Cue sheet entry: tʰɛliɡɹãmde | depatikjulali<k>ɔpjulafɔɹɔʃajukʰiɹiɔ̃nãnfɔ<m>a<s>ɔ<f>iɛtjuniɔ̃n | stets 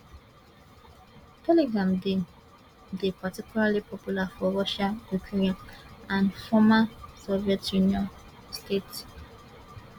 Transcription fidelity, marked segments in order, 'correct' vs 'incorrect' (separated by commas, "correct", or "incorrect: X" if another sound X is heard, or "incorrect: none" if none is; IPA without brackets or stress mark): incorrect: p, correct, correct, incorrect: v